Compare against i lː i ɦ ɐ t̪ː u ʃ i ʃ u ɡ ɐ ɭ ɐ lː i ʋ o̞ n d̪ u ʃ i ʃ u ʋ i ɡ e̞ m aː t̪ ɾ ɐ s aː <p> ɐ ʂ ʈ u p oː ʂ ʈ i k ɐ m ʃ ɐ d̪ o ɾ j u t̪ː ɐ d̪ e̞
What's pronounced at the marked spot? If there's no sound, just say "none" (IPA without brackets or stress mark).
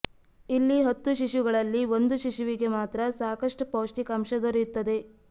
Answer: k